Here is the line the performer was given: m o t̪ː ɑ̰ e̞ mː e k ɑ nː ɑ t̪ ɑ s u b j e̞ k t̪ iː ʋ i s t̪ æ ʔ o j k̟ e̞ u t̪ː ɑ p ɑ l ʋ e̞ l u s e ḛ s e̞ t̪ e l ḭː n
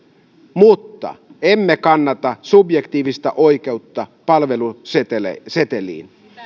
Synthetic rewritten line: m u t̪ː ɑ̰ e̞ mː e k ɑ nː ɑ t̪ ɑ s u b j e̞ k t̪ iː ʋ i s t̪ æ ʔ o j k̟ e̞ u t̪ː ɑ p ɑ l ʋ e̞ l u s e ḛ s e̞ t̪ e l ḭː n